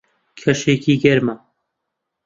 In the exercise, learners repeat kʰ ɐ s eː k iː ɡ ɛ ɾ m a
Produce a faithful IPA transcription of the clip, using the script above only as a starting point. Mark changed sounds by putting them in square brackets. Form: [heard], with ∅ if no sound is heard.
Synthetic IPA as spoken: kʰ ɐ [ʃ] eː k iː ɡ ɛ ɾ m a